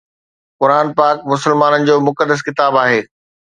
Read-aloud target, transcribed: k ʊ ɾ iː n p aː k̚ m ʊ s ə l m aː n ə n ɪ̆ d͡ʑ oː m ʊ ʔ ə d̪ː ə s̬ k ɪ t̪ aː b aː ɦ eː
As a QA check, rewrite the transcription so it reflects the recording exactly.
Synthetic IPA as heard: k ʊ ɾ aː n p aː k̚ m ʊ s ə l m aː n ə n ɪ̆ d͡ʑ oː m ʊ k ə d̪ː ə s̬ k ɪ t̪ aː b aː ɦ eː

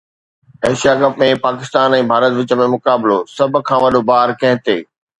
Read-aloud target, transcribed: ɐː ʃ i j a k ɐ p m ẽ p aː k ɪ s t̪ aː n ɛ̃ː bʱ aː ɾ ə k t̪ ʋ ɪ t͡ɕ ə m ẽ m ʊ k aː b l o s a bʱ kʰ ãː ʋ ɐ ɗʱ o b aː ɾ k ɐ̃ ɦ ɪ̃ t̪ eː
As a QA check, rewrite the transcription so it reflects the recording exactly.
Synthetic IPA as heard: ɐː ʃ i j a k ɐ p m ẽ p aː k ɪ s t̪ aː n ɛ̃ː bʱ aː ɾ ə t̪ ʋ ɪ t͡ɕ ə m ẽ m ʊ k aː b l o s ɐ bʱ kʰ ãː ʋ ɐ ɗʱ o b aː ɾ k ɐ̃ ɦ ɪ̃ t̪ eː

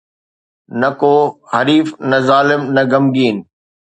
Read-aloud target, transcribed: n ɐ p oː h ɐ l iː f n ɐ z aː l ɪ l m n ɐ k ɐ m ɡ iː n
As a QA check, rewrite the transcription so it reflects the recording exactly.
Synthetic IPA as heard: n ɐ k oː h ɐ ɾ iː f n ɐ z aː l ɪ m n ɐ ɡ ɐ m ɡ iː n

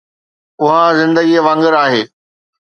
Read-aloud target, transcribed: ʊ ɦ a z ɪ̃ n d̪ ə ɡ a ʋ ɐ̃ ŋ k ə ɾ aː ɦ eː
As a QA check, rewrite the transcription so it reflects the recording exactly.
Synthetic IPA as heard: ʊ ɦ a z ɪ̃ n d̪ ə ɡ i ʋ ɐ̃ ŋ ɡ ə ɾ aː ɦ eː

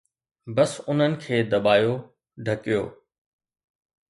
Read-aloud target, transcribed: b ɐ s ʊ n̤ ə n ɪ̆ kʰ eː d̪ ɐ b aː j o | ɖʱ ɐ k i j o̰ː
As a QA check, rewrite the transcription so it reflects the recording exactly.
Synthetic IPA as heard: b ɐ s ʊ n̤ ə n ɪ̆ kʰ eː d̪ ɐ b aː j o | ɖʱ ɐ k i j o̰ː

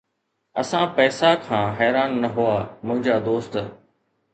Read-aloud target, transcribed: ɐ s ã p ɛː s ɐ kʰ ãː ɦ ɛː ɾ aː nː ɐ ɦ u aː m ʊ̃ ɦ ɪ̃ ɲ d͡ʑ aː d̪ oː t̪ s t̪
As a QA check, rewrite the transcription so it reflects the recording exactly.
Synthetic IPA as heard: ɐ s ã p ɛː s a kʰ ãː ɦ ɛː ɾ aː nː ɐ ɦ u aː m ʊ̃ ɦ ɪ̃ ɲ d͡ʑ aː d̪ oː s t̪

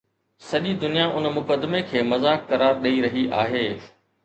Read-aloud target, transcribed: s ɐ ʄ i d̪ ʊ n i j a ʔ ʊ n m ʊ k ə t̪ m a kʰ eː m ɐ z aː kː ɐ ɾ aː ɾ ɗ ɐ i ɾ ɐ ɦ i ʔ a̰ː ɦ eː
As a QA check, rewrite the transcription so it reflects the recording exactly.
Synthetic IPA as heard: s ɐ ʄ i d̪ ʊ n i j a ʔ ʊ n m ʊ k ə d̪ m e kʰ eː m ɐ z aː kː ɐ ɾ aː ɾ ɗ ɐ i ɾ ɐ ɦ i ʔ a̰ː ɦ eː

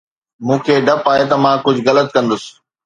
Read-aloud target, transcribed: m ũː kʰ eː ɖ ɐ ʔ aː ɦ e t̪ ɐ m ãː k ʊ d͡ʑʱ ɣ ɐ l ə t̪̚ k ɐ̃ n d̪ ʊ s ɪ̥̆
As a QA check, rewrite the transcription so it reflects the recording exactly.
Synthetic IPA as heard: m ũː kʰ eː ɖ ɐ p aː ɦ e t̪ ɐ m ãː k ʊ d͡ʑʱ ɣ ɐ l ə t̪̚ k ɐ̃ n d̪ ʊ s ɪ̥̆

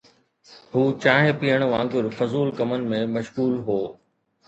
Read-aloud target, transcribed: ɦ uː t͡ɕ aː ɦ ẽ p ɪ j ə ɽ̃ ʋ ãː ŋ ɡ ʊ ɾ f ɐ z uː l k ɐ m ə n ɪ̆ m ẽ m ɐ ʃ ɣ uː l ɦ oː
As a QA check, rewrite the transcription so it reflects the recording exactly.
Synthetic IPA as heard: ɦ uː t͡ɕ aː ɦ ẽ p i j ə ɽ̃ ʋ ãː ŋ ɡ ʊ ɾ f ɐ z uː l k ɐ m ə n ɪ̆ m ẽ m ɐ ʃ ɣ uː l ɦ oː

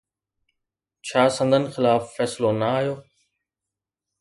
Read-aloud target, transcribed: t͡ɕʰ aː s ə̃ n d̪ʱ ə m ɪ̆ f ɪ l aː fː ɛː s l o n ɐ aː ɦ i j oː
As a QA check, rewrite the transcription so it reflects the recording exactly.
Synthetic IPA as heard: t͡ɕʰ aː s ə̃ n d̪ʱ ə n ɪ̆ x ɪ l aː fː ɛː s l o n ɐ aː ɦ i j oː

